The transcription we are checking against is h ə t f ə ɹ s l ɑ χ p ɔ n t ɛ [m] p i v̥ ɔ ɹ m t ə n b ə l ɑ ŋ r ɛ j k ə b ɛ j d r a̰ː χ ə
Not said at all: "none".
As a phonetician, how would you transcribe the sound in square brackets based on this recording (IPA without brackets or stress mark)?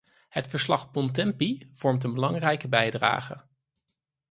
m